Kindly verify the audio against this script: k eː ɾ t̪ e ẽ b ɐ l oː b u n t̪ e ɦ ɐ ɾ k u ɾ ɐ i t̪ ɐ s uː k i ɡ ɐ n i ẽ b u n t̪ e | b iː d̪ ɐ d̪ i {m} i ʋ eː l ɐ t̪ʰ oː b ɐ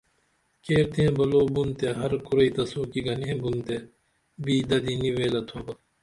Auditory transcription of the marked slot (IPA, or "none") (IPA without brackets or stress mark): n